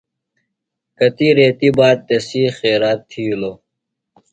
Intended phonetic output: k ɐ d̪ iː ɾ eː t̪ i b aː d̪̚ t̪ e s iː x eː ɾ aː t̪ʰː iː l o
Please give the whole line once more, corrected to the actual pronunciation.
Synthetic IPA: k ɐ t̪ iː ɾ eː t̪ i b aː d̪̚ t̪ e s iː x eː ɾ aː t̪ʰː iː l o